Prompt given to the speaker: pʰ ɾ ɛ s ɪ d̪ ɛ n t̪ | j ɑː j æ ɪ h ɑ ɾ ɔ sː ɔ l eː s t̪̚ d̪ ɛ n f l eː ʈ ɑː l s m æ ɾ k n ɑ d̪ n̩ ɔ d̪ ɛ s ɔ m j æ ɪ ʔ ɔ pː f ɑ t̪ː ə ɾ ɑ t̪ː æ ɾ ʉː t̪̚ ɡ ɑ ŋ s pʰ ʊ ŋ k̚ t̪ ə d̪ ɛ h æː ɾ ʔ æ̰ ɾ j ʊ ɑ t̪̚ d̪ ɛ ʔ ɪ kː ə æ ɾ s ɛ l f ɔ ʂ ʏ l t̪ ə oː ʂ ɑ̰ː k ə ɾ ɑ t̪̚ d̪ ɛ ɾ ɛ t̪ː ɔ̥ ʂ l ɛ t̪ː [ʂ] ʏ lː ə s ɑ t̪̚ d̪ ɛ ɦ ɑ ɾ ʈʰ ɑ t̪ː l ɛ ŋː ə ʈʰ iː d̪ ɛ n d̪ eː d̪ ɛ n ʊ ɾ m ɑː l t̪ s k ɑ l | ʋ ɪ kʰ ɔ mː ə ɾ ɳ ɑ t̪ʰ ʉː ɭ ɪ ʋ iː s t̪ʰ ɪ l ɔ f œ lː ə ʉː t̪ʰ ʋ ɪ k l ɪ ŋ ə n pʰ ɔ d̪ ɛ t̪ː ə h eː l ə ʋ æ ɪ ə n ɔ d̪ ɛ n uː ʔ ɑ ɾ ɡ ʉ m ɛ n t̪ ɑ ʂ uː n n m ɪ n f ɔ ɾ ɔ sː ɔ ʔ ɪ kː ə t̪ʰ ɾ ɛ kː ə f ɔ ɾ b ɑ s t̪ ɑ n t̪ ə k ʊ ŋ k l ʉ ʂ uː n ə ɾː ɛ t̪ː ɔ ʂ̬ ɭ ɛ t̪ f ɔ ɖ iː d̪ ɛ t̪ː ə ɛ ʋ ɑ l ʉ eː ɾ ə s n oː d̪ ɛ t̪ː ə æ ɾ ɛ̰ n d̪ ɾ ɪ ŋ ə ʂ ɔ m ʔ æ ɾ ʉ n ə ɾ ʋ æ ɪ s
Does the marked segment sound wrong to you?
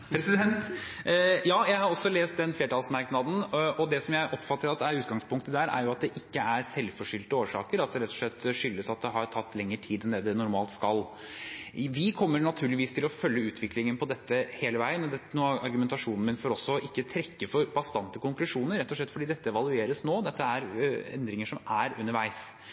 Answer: no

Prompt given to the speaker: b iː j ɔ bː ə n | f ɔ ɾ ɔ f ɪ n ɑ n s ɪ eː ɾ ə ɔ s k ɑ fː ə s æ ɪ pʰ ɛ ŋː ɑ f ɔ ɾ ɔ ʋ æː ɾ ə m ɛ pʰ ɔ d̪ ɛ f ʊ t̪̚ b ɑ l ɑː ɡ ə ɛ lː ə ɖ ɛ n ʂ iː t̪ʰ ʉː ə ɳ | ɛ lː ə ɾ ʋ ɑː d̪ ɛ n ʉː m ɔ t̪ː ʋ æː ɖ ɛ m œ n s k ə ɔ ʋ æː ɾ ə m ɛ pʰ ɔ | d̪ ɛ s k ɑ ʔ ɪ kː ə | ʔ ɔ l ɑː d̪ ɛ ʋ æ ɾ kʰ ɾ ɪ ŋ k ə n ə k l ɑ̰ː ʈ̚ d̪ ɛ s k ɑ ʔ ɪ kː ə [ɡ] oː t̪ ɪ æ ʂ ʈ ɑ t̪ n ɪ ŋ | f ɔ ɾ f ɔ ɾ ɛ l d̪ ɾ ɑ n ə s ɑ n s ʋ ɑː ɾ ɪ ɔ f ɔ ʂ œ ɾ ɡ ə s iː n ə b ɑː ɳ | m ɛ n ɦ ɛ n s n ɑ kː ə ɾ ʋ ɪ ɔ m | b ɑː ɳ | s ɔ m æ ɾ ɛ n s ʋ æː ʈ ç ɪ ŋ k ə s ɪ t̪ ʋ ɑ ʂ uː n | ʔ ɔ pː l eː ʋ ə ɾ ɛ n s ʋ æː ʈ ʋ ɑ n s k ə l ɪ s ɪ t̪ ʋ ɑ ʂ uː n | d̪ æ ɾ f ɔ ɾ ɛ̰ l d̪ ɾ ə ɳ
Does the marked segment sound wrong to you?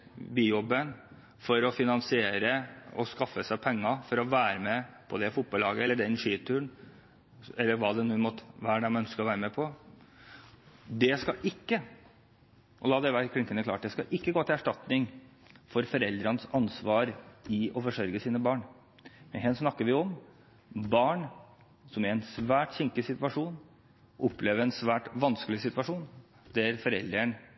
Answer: no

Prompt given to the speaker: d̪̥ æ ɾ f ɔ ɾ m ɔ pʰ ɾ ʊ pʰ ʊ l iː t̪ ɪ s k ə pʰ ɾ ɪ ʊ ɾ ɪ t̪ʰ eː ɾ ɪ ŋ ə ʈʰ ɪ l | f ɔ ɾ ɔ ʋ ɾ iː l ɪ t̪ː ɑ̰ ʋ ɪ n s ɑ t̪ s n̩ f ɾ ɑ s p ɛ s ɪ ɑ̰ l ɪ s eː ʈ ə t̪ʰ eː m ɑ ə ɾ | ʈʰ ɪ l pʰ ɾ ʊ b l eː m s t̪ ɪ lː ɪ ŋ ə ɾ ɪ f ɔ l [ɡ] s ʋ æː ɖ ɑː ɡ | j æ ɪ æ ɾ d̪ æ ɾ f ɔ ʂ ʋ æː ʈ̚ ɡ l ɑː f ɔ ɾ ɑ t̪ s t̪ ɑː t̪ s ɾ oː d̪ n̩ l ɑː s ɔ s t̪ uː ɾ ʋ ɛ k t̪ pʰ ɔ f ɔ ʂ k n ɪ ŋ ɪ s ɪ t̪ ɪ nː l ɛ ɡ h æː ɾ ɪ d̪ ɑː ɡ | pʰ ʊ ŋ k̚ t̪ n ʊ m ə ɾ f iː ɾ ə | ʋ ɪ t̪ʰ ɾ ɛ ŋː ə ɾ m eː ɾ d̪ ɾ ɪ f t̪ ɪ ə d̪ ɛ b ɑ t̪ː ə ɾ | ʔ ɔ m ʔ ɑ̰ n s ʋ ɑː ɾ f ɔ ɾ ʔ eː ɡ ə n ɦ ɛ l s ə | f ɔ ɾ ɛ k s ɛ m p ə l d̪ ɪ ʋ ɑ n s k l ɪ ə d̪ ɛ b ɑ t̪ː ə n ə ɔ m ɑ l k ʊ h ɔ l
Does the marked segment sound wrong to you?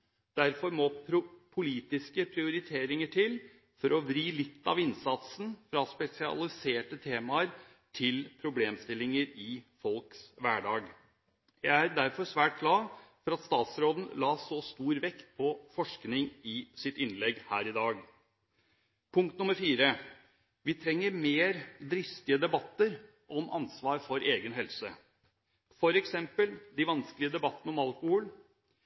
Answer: yes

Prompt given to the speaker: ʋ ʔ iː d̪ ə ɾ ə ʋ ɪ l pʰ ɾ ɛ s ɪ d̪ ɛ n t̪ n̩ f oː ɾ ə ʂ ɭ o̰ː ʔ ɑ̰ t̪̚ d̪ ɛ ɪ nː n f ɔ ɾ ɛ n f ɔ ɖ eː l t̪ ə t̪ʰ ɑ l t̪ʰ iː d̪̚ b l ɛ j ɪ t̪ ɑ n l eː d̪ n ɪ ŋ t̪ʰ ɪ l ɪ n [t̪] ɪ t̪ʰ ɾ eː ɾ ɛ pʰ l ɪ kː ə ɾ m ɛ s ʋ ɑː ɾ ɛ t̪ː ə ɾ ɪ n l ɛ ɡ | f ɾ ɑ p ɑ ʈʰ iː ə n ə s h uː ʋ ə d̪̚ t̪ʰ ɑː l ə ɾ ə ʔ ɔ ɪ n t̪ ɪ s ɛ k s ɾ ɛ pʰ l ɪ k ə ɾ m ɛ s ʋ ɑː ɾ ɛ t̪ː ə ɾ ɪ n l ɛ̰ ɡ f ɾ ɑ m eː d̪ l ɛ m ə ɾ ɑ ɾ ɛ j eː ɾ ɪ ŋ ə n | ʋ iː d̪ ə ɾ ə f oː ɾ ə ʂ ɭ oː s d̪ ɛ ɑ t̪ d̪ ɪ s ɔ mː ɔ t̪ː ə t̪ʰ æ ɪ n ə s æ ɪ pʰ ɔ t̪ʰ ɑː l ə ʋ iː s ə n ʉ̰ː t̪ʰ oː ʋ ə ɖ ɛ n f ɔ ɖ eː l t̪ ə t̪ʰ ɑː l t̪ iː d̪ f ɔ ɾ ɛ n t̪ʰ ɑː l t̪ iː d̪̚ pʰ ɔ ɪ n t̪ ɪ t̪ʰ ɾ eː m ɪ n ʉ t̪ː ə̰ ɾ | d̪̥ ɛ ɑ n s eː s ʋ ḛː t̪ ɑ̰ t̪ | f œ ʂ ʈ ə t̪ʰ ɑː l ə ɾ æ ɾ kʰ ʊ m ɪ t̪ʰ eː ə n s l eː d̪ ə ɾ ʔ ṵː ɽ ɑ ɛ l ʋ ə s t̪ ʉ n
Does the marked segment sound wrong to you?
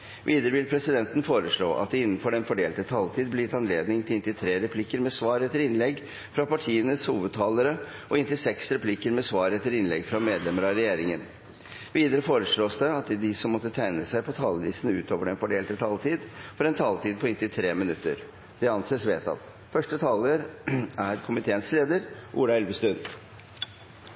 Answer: no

